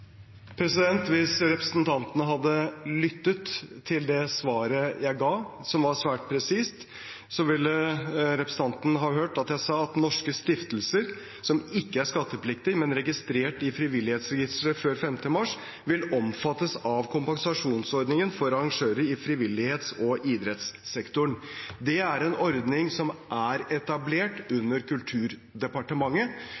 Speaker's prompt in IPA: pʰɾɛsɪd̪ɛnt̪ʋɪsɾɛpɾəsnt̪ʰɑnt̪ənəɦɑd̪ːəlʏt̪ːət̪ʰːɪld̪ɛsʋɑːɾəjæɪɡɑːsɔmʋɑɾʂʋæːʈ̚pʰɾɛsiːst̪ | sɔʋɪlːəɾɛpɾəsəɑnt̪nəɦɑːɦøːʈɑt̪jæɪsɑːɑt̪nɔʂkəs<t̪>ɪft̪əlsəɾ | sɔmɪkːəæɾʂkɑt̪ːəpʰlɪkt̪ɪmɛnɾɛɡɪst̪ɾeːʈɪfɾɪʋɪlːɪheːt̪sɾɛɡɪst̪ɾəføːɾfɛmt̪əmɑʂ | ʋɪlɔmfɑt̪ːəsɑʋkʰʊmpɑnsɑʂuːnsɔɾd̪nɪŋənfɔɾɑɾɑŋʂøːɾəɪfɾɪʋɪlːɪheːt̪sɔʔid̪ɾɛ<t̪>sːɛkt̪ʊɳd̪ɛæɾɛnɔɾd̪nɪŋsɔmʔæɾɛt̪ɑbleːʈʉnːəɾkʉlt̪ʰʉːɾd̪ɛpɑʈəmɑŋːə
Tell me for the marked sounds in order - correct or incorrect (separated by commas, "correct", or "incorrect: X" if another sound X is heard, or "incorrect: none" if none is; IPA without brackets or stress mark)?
correct, correct